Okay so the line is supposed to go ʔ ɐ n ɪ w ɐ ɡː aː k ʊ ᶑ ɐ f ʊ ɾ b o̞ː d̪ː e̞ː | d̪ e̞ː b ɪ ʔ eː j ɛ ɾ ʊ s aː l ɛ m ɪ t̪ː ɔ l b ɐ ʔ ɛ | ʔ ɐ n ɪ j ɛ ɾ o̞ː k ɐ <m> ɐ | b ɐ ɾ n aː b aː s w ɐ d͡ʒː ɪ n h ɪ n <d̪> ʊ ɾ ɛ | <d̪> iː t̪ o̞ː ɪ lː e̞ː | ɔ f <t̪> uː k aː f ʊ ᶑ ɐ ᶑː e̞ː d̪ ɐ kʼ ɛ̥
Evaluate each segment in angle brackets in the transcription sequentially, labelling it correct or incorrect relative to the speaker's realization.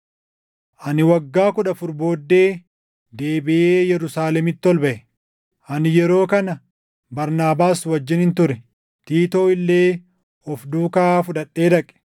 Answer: incorrect: n, incorrect: t̪, incorrect: t̪, incorrect: d̪

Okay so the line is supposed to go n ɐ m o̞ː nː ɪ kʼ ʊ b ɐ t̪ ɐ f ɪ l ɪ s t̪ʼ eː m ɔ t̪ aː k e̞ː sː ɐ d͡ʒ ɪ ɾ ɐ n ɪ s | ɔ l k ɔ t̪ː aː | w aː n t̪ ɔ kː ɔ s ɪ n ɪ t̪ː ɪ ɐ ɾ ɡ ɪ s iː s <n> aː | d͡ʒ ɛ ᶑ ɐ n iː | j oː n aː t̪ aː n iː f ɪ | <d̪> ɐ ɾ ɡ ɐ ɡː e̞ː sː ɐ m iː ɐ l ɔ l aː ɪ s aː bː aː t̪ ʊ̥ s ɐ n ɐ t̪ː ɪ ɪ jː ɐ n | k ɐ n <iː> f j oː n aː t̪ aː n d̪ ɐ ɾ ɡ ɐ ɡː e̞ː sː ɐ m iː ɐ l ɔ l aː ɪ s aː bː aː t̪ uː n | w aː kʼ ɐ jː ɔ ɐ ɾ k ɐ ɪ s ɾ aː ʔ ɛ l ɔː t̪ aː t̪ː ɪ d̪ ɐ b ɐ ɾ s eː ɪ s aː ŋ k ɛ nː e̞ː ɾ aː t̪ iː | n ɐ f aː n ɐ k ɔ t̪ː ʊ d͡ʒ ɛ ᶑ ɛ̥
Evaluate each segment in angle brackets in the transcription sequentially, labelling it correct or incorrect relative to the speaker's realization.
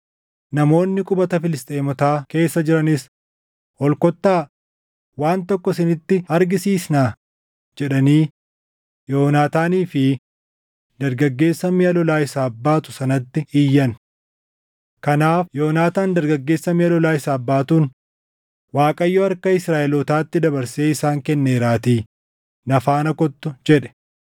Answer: correct, correct, incorrect: aː

